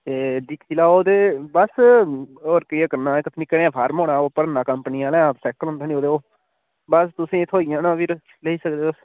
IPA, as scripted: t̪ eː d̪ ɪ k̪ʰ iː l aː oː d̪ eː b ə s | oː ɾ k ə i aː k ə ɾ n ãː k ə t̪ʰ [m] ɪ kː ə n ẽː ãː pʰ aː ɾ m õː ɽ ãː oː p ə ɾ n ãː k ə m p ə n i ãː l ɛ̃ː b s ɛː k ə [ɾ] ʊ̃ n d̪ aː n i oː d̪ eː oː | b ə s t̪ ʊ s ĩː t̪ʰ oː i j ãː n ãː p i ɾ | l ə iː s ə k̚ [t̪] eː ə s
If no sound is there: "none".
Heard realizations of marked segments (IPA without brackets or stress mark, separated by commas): n, l, d̪